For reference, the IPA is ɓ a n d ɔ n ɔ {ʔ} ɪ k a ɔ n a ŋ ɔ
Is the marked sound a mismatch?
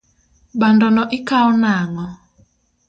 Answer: no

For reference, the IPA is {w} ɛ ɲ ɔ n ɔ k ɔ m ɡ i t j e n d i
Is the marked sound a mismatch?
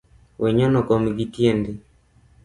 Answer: no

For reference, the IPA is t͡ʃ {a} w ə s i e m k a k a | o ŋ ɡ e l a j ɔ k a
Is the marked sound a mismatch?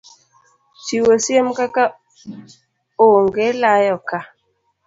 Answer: yes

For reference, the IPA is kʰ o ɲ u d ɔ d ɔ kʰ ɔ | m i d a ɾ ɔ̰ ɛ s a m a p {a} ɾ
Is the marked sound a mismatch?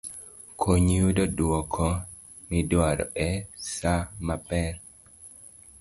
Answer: yes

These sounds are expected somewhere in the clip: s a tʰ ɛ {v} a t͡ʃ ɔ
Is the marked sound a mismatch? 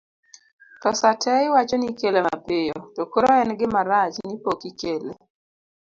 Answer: yes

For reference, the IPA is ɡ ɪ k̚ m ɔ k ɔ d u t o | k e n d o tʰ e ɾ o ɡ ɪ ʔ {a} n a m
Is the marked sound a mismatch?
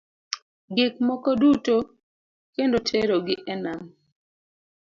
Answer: yes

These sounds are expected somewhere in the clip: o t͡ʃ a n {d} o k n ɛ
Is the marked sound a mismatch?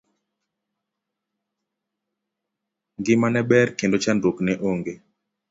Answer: no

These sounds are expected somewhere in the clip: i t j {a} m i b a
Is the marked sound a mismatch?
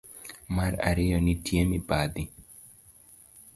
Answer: yes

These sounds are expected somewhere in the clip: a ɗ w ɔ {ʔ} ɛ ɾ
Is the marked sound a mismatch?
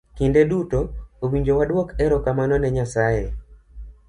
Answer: yes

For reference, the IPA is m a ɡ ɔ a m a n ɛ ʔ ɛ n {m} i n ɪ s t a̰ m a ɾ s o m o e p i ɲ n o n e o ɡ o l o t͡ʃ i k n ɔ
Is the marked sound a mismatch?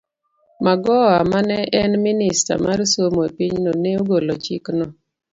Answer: no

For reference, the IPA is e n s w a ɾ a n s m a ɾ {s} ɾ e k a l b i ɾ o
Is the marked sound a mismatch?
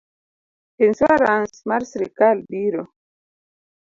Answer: no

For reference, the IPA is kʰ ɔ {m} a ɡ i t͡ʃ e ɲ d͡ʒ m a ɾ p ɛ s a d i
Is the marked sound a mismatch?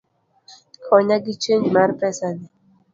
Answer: yes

